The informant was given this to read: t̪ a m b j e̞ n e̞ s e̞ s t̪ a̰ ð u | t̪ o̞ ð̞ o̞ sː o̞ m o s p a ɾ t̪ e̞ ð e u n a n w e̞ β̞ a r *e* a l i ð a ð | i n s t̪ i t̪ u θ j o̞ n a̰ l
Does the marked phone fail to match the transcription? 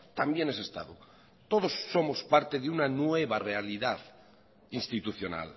no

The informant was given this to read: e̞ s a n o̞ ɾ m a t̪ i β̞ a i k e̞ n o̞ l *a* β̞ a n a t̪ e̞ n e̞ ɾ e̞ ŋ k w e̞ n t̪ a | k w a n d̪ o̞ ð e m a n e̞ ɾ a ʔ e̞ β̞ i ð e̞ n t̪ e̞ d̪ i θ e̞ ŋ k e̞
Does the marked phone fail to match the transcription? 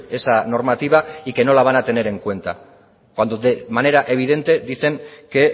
no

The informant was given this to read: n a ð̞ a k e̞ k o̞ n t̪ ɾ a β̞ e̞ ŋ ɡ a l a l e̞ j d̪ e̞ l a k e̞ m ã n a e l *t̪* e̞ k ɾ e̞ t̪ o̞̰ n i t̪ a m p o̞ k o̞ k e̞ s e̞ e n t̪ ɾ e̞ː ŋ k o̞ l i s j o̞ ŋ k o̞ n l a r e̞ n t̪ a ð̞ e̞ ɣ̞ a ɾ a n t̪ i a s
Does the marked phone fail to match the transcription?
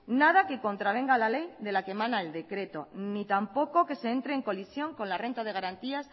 yes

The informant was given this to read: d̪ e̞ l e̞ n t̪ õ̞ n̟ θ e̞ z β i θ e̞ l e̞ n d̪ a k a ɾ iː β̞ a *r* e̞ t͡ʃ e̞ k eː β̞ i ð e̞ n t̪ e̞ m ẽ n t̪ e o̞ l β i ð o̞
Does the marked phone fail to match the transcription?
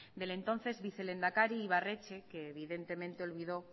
no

